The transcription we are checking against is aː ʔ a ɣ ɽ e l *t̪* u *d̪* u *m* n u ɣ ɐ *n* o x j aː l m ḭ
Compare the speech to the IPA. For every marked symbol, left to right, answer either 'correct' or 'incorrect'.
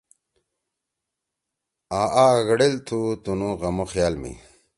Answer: incorrect, incorrect, incorrect, incorrect

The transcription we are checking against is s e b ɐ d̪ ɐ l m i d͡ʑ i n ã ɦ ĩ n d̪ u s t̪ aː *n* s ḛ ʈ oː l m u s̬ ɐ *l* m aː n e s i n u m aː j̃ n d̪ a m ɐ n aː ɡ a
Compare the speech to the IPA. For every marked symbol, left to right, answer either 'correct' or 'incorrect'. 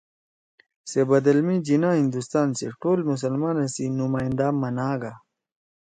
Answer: correct, correct

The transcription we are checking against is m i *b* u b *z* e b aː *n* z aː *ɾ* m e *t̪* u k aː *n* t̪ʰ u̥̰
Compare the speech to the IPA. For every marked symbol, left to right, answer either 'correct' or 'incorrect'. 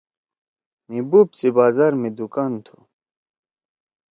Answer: correct, incorrect, incorrect, correct, incorrect, correct

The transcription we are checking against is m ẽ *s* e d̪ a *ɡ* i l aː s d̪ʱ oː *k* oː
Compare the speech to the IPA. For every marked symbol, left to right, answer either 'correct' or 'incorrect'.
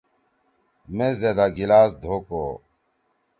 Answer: incorrect, correct, correct

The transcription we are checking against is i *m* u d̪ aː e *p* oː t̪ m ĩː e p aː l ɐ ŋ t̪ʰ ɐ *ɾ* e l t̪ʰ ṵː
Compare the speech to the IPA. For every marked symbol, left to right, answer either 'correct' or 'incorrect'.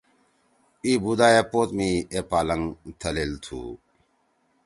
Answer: incorrect, correct, incorrect

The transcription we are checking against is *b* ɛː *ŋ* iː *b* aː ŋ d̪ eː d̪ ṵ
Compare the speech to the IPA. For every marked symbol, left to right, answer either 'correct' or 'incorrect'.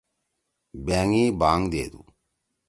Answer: correct, correct, correct

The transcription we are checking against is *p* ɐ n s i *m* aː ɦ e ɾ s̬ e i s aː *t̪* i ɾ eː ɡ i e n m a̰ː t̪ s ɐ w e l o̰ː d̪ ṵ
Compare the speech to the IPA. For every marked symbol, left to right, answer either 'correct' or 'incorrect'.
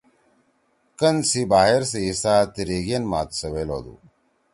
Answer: incorrect, incorrect, correct

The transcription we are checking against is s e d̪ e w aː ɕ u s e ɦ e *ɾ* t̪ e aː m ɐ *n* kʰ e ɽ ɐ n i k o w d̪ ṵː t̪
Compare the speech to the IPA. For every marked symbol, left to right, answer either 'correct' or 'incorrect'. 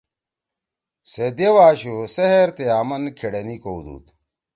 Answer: correct, correct

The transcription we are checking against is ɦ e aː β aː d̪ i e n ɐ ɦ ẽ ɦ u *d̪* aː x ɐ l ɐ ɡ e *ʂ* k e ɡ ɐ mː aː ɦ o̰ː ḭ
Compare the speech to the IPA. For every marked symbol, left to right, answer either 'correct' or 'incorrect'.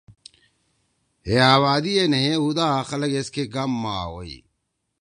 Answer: correct, incorrect

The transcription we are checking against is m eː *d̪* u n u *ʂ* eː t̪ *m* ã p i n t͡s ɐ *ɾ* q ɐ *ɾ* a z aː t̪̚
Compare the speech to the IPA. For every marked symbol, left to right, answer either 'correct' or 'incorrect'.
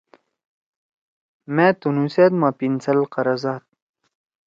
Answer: incorrect, incorrect, correct, incorrect, correct

